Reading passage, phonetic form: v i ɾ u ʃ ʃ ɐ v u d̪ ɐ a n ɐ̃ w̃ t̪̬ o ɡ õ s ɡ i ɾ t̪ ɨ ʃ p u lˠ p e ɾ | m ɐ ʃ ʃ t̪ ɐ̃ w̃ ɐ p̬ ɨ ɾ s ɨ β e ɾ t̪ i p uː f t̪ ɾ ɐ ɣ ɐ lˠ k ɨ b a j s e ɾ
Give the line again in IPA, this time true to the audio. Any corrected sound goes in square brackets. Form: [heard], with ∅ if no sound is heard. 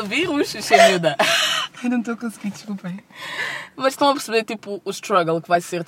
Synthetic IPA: v i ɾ u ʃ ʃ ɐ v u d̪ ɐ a n ɐ̃ w̃ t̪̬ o [k] õ s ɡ i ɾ [d̪] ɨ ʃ [k] u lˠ p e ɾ | m ɐ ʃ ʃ t̪ ɐ̃ w̃ ɐ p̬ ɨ ɾ s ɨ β e ɾ t̪ i p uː [ʃ] t̪ ɾ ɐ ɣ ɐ lˠ k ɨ [v] a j s e ɾ